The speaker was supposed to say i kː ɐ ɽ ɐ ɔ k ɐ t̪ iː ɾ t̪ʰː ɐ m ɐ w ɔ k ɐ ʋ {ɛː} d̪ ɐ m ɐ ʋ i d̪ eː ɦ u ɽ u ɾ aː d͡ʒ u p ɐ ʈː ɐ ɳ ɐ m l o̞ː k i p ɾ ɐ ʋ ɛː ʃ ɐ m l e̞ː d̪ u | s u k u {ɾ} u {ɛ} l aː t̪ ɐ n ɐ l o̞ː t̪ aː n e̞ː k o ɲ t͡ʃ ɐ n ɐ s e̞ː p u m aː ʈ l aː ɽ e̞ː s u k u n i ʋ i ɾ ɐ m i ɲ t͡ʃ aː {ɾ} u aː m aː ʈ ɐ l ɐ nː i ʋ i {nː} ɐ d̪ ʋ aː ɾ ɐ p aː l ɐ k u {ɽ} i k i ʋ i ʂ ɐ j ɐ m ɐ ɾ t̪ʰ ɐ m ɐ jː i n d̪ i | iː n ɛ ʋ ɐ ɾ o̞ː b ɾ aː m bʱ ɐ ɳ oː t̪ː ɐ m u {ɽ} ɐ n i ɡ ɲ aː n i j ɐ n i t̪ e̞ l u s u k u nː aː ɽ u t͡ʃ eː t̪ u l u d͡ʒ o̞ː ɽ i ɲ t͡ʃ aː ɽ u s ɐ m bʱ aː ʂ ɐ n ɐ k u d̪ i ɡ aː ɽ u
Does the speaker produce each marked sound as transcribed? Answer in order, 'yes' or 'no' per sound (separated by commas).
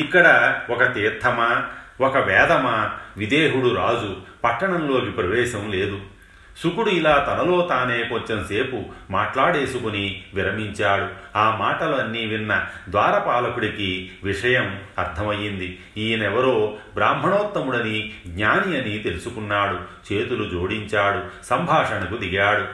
yes, no, no, no, yes, yes, yes